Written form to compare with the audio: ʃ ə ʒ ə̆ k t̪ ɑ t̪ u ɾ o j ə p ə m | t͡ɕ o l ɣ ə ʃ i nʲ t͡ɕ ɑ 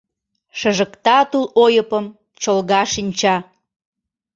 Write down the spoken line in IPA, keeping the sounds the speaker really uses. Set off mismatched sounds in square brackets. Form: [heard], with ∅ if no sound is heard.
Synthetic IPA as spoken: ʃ ə ʒ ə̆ k t̪ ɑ t̪ u [l] o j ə p ə m | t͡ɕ o l ɣ [ɑ] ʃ i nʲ t͡ɕ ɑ